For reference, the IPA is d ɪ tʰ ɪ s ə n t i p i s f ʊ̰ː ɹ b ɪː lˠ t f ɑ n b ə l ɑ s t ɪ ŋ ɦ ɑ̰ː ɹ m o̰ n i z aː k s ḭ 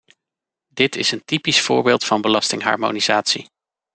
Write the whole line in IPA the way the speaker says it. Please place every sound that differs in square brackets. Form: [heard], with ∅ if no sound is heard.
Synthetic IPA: d ɪ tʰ ɪ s ə n t i p i s f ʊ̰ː ɹ b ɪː lˠ t f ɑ n b ə l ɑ s t ɪ ŋ ɦ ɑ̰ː ɹ m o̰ n i z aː [t] s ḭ

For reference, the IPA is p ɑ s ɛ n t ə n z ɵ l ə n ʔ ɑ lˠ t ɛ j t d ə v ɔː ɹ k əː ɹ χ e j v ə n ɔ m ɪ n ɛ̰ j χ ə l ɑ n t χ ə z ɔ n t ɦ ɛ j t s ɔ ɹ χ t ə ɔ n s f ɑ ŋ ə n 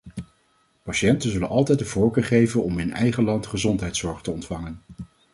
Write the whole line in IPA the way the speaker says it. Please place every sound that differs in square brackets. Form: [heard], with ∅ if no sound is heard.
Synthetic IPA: p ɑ [ʃ] ɛ n t ə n z ɵ l ə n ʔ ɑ lˠ t ɛ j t d ə v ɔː ɹ k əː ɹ χ e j v ə n ɔ m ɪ n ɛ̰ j χ ə l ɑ n t χ ə z ɔ n t ɦ ɛ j t s ɔ ɹ χ t ə ɔ n [t] f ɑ ŋ ə n

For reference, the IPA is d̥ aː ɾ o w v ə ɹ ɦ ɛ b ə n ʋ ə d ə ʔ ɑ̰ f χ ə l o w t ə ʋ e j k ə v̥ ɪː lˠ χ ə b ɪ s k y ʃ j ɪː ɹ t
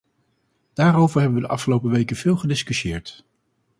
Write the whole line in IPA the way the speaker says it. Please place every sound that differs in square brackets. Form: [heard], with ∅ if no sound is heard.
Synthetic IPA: d̥ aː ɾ o w v ə ɹ ɦ ɛ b ə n ʋ ə d ə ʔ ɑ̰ f χ ə l o w [p] ə ʋ e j k ə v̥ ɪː lˠ χ ə [d] ɪ s k y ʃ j ɪː ɹ t

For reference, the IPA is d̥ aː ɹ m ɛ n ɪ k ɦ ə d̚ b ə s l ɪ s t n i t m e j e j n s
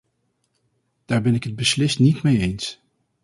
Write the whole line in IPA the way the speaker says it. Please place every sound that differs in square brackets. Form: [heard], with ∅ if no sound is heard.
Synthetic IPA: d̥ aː ɹ [b] ɛ n ɪ k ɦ ə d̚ b ə s l ɪ s t n i t m e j e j n s

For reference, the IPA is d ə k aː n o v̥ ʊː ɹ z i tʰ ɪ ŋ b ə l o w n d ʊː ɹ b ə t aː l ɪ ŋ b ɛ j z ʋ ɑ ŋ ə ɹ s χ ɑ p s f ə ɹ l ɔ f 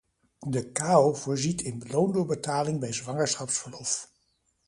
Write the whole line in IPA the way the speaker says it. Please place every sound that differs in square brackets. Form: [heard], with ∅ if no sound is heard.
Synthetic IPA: d ə k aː [∅] o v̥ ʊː ɹ z i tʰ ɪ [n] b ə l o w n d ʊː ɹ b ə t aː l ɪ ŋ b ɛ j z ʋ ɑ ŋ ə ɹ s χ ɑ p s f ə ɹ l ɔ f

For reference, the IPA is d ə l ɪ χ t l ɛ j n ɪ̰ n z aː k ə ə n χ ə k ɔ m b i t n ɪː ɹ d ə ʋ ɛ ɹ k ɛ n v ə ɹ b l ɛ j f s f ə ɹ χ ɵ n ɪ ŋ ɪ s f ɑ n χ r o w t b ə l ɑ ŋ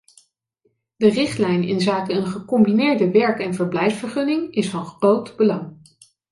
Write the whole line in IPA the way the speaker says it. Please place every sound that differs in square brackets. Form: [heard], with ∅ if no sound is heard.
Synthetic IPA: d ə [r] ɪ χ t l ɛ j n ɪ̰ n z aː k ə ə n χ ə k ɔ m b i [∅] n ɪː ɹ d ə ʋ ɛ ɹ k ɛ n v ə ɹ b l ɛ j f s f ə ɹ χ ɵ n ɪ ŋ ɪ s f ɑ n χ r o w t b ə l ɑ ŋ

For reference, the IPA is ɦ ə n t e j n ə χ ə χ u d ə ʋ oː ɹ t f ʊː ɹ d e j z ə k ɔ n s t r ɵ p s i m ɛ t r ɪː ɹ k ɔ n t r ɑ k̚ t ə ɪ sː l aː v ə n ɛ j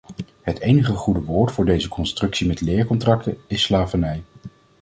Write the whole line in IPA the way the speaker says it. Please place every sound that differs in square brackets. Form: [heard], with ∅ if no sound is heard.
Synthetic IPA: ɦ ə [∅] t e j n ə χ ə χ u d ə ʋ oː ɹ t f ʊː ɹ d e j z ə k ɔ n s t r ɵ [k] s i m ɛ t [l] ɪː ɹ k ɔ n t r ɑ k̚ t ə ɪ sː l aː v ə n ɛ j

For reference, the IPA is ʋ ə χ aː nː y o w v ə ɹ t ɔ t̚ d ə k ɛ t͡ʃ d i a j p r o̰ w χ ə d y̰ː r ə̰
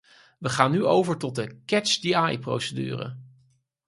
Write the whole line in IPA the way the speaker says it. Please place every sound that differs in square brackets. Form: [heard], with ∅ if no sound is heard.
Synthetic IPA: ʋ ə χ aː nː y o w v ə ɹ t ɔ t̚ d ə k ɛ t͡ʃ d i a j p r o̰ w [s] ə d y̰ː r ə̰

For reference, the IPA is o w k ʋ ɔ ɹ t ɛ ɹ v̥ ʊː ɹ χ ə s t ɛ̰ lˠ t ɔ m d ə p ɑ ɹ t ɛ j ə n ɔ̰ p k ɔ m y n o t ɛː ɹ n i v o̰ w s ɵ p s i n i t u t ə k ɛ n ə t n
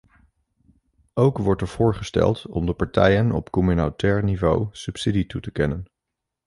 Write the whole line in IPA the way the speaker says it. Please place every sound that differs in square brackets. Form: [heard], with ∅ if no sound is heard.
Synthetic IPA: o w k ʋ ɔ ɹ t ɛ ɹ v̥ ʊː ɹ χ ə s t ɛ̰ lˠ t ɔ m d ə p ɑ ɹ t ɛ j ə n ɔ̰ p k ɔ m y n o t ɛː ɹ n i v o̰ w s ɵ p s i [d] i t u t ə k ɛ n ə [∅] n

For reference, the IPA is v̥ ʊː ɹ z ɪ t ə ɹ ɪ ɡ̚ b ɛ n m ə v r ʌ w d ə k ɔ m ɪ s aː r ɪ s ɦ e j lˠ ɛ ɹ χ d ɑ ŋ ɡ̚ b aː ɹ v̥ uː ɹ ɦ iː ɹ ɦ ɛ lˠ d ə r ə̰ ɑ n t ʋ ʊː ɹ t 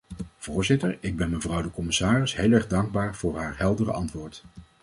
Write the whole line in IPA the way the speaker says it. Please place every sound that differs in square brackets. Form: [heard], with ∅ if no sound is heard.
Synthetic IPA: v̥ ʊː ɹ z ɪ t ə ɹ ɪ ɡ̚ b ɛ n m ə v r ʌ w d ə k ɔ m ɪ s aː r ɪ s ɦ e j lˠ ɛ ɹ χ d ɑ ŋ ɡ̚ b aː ɹ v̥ [ʊː] ɹ ɦ [aː] ɹ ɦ ɛ lˠ d ə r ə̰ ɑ n t ʋ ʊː ɹ t

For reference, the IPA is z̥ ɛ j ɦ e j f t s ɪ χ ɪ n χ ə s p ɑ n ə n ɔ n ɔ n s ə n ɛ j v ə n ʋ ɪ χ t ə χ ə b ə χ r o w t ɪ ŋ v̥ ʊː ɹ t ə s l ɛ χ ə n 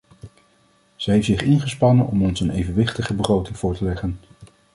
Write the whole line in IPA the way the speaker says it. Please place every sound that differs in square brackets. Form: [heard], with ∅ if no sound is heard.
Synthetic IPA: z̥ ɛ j ɦ e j f t s ɪ χ ɪ n χ ə s p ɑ n ə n ɔ [m] ɔ n s ə n [e] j v ə n ʋ ɪ χ t ə χ ə b ə χ r o w t ɪ ŋ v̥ ʊː ɹ t ə [∅] l ɛ χ ə n

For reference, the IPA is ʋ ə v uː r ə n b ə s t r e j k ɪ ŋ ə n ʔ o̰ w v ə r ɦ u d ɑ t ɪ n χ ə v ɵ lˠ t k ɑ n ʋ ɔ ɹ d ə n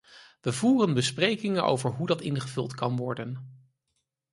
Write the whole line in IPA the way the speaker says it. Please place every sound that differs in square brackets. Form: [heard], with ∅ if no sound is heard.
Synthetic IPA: ʋ ə v uː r ə n b ə s [p] r e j k ɪ ŋ ə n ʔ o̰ w v ə [ɹ] ɦ u d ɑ t ɪ n χ ə v ɵ lˠ t k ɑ n ʋ ɔ ɹ d ə n

